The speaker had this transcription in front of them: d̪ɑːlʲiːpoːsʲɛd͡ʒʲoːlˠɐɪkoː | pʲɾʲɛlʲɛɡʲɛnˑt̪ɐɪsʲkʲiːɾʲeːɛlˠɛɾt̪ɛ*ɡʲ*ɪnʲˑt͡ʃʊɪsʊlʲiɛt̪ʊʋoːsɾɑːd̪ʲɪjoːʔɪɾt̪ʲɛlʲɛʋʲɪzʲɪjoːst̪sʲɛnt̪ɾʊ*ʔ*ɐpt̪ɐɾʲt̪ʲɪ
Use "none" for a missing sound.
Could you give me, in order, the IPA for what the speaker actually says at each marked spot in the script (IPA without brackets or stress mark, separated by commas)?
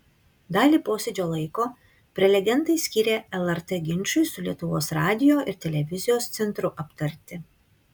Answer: ɡʲ, ʔ